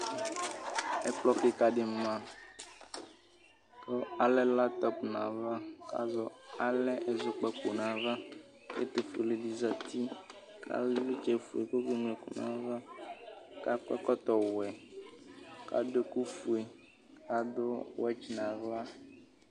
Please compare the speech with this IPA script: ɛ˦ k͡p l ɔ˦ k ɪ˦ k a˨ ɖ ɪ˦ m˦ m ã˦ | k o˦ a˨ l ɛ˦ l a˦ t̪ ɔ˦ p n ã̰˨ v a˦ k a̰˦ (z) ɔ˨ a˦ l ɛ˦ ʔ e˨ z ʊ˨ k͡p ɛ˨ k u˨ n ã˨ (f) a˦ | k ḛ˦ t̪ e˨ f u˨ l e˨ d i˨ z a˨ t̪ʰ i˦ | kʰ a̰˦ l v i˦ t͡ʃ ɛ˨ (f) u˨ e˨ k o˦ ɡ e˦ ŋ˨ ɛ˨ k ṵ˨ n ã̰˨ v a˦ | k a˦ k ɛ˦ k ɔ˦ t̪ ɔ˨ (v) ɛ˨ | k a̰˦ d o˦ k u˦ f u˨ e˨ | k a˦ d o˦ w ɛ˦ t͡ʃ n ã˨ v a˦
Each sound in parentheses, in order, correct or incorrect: correct, incorrect: v, correct, incorrect: w

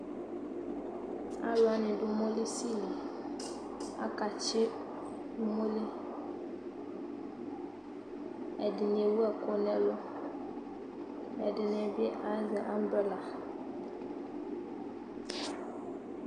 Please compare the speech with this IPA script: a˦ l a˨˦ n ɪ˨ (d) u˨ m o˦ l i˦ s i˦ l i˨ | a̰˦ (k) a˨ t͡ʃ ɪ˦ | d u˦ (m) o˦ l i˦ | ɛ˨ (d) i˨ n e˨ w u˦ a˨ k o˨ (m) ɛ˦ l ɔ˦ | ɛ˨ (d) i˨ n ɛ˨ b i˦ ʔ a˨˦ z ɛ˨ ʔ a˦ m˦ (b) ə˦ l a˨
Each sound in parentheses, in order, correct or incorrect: correct, correct, correct, correct, incorrect: n, correct, correct

